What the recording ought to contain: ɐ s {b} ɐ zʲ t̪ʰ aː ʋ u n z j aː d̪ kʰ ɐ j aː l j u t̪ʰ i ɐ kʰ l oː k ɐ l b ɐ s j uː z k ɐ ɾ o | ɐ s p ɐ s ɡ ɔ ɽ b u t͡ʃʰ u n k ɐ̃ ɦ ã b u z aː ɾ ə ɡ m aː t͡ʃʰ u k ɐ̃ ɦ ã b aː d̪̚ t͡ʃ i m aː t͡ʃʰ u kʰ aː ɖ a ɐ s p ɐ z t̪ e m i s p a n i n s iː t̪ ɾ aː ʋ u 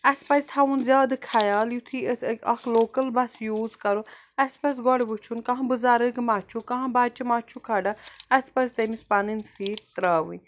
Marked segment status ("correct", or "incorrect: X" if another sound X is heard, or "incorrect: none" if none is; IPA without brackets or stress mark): incorrect: p